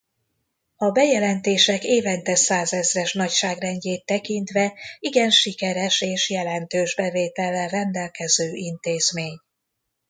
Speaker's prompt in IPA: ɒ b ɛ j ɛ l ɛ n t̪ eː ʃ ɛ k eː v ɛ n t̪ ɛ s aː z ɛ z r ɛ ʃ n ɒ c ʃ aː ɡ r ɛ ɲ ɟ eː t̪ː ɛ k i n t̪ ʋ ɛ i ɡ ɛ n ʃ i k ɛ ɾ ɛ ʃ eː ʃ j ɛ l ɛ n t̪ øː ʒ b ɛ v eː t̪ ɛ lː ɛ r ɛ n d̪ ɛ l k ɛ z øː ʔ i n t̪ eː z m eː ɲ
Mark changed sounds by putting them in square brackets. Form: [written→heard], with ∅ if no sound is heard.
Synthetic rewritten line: ɒ b ɛ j ɛ l ɛ n t̪ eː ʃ ɛ k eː v ɛ n t̪ ɛ s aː z ɛ z r ɛ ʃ n ɒ c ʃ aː ɡ r ɛ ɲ ɟ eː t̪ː ɛ k i n t̪ ʋ ɛ i ɡ ɛ n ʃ i k ɛ ɾ ɛ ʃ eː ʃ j ɛ l ɛ n t̪ øː ʒ b ɛ v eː t̪ ɛ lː ɛ r ɛ n d̪ ɛ l k ɛ z øː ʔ i n t̪ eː z m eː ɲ

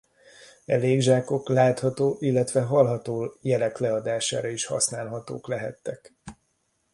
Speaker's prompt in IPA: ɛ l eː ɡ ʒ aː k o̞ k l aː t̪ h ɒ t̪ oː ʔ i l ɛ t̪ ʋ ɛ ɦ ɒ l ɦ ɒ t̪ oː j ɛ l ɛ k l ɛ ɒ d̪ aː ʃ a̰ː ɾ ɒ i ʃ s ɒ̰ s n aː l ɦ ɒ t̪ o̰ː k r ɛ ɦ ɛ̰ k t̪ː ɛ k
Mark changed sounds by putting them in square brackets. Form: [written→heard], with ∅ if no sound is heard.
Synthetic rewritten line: ɛ l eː ɡ ʒ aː k o̞ k l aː t̪ h ɒ t̪ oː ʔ i [l→lː] ɛ t̪ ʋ ɛ ɦ ɒ l ɦ ɒ t̪ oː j ɛ l ɛ k l ɛ ɒ d̪ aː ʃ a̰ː ɾ ɒ i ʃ [s→h] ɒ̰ s n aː l ɦ ɒ t̪ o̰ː k [r→l] ɛ ɦ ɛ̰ [k→∅] t̪ː ɛ k

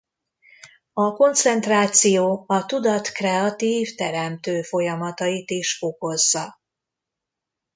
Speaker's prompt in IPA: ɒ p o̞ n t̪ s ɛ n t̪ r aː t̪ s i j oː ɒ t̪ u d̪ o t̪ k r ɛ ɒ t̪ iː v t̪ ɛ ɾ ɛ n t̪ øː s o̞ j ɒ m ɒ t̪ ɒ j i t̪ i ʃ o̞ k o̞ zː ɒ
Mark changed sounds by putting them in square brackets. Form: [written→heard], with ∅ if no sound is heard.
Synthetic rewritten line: ɒ [p→k] o̞ n t̪ s ɛ n t̪ r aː t̪ s i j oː ɒ t̪ u d̪ [o→ɒ] t̪ k r ɛ ɒ t̪ iː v t̪ ɛ ɾ ɛ [n→m] t̪ øː [s→f] o̞ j ɒ m ɒ t̪ ɒ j i t̪ i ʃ o̞ k o̞ zː ɒ

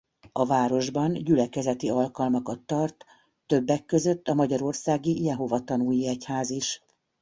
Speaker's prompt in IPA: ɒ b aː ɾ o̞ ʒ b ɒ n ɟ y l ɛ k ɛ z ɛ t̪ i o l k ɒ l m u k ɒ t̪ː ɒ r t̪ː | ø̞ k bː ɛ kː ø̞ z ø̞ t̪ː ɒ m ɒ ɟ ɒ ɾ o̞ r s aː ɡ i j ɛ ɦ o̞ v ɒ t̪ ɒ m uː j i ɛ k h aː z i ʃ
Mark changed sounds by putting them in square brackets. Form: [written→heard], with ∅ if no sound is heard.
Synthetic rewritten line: ɒ [b→v] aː ɾ o̞ ʒ b ɒ n ɟ y l ɛ k ɛ z ɛ t̪ i [o→ɒ] l k ɒ l m [u→ɒ] k ɒ t̪ː ɒ r t̪ː | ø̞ [k→∅] bː ɛ kː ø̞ z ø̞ t̪ː ɒ m ɒ ɟ ɒ ɾ o̞ r s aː ɡ i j ɛ ɦ o̞ v ɒ t̪ ɒ [m→n] uː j i ɛ [k→c] h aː z i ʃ

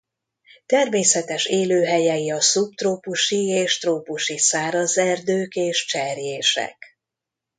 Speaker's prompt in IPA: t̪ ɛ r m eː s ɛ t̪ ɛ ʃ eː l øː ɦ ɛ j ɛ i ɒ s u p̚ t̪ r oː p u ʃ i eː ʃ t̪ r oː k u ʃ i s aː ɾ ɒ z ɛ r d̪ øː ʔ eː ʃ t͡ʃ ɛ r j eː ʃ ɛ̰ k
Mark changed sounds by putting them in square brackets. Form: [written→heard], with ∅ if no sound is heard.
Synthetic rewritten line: t̪ ɛ r m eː s ɛ t̪ ɛ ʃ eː l øː ɦ ɛ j ɛ i ɒ s u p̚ t̪ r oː p u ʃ i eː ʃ t̪ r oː [k→p] u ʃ i s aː ɾ ɒ z ɛ r d̪ øː [ʔ→k] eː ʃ t͡ʃ ɛ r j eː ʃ ɛ̰ k

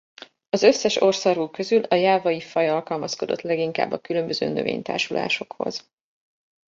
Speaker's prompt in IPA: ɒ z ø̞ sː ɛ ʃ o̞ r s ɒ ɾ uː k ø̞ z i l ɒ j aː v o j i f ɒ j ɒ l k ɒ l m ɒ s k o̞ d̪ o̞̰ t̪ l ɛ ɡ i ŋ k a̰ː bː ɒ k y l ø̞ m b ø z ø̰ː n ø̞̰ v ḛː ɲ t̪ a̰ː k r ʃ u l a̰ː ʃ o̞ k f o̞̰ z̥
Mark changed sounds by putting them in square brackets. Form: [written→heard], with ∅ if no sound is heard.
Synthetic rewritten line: ɒ z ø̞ sː ɛ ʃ o̞ r s ɒ ɾ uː k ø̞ z [i→y] l ɒ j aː v [o→ɒ] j i f ɒ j ɒ l k ɒ l m ɒ s k o̞ d̪ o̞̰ t̪ l ɛ ɡ i ŋ k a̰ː bː ɒ k y l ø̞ m b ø z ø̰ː n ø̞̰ v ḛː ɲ t̪ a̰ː [k→∅] r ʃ u l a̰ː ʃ o̞ k [f→h] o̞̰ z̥

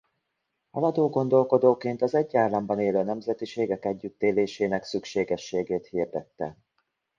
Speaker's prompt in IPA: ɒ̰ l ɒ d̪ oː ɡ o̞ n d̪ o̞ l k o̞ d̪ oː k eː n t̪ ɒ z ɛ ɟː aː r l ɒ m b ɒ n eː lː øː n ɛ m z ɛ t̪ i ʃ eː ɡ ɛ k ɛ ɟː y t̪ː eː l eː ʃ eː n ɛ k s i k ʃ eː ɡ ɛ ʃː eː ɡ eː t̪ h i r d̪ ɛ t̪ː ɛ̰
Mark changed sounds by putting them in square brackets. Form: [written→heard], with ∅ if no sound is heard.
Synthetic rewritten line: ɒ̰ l ɒ d̪ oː ɡ o̞ n d̪ o̞ l k o̞ d̪ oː k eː n t̪ ɒ z ɛ ɟː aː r l ɒ m b ɒ n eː [lː→l] øː n ɛ m z ɛ t̪ i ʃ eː ɡ ɛ k ɛ ɟː y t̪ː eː l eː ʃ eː n ɛ k s [i→y] k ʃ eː ɡ ɛ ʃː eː ɡ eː t̪ h i r d̪ ɛ t̪ː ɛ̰

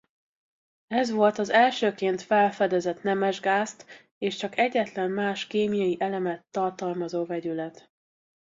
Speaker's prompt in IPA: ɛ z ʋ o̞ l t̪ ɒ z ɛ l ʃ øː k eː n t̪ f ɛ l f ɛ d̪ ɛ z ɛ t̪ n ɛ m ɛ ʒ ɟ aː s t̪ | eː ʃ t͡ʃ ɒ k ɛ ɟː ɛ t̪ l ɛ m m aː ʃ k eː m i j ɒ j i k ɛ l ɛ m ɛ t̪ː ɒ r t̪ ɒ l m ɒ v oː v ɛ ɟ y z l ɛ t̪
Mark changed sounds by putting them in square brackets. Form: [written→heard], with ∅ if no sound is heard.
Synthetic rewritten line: ɛ z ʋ o̞ l t̪ ɒ z ɛ l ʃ øː k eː n t̪ f ɛ l f ɛ d̪ ɛ z ɛ t̪ n ɛ m ɛ ʒ [ɟ→ɡ] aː s t̪ | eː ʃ t͡ʃ ɒ k ɛ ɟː ɛ t̪ l ɛ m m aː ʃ k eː m i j ɒ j i [k→ʔ] ɛ l ɛ m ɛ t̪ː ɒ r t̪ ɒ l m ɒ [v→z] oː v ɛ ɟ y [z→∅] l ɛ t̪

